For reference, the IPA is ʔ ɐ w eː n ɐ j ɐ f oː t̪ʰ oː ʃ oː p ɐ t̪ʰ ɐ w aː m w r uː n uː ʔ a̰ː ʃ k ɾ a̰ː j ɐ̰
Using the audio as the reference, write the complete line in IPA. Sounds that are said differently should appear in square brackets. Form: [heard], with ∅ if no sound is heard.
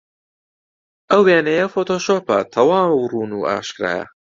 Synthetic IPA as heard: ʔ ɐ w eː n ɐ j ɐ f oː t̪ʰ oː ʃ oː p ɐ t̪ʰ ɐ w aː m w r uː n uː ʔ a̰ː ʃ k ɾ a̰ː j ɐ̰